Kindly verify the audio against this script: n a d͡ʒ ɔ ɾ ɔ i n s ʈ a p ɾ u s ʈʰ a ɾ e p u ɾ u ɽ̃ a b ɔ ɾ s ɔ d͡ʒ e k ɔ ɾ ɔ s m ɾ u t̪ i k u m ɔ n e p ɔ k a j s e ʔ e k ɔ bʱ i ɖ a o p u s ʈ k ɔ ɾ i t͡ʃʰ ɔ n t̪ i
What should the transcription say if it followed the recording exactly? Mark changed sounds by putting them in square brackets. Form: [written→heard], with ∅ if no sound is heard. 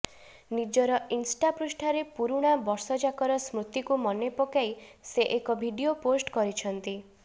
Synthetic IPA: n [a→i] d͡ʒ ɔ ɾ ɔ i n s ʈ a p ɾ u s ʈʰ a ɾ e p u ɾ u ɽ̃ a b ɔ ɾ s ɔ d͡ʒ [e→a] k ɔ ɾ ɔ s m ɾ u t̪ i k u m ɔ n e p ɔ k a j s e ʔ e k ɔ bʱ i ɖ [a→i] o p [u→o] s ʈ k ɔ ɾ i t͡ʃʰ ɔ n t̪ i